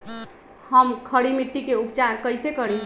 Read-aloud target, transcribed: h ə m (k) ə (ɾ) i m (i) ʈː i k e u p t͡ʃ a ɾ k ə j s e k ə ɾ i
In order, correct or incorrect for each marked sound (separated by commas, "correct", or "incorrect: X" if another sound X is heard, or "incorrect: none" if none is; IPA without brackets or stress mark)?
incorrect: kʰ, incorrect: ɽ, correct